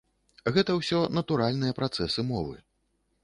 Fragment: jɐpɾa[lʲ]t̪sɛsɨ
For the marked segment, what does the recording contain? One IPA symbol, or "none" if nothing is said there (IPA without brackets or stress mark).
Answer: none